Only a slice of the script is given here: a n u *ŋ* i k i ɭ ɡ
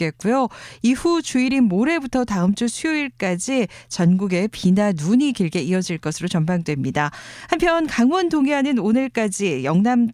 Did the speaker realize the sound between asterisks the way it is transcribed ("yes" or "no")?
no